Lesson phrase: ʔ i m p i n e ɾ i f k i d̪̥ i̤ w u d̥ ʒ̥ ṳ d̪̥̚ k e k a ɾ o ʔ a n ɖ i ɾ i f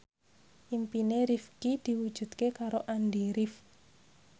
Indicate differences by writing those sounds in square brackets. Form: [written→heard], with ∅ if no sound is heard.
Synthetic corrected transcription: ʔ i m p i n e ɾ i f k i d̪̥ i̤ w u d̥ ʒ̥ ṳ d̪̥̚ k e k a ɾ o ʔ a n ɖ i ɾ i f